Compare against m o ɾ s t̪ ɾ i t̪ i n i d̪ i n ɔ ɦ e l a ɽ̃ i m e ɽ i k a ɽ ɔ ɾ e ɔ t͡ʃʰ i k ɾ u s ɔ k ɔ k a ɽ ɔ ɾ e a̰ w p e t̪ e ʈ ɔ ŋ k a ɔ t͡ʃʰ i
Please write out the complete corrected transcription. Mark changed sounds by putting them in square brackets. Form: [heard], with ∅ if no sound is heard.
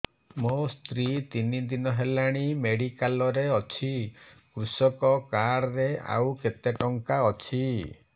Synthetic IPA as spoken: m o [∅] s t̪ ɾ i t̪ i n i d̪ i n ɔ ɦ e l a ɽ̃ i m e ɽ i k a [l] ɔ ɾ e ɔ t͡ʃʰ i k ɾ u s ɔ k ɔ k a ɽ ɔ ɾ e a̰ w [k] e t̪ e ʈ ɔ ŋ k a ɔ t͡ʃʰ i